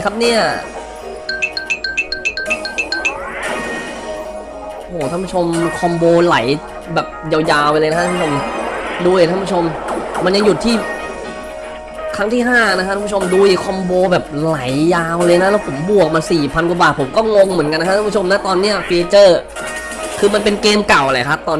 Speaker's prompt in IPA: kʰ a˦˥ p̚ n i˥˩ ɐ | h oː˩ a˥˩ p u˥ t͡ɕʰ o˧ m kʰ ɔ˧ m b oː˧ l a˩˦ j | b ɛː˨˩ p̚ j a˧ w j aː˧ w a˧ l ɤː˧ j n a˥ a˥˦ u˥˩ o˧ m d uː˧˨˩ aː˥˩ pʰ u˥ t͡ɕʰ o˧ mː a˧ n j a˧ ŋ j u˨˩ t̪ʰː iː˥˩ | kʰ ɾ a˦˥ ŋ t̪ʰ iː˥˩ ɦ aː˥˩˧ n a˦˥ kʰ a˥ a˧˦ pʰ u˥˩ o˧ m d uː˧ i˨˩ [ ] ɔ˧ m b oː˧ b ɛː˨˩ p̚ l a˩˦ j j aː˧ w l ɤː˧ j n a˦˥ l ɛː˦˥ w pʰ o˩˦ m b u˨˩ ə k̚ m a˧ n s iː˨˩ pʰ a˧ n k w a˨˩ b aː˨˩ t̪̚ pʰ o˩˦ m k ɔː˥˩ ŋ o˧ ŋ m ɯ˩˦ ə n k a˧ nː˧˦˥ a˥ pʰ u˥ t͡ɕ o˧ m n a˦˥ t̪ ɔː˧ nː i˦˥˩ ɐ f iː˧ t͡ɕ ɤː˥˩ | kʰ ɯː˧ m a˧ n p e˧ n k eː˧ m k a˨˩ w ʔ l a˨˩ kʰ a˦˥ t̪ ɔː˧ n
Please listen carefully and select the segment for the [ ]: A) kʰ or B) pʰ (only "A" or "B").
A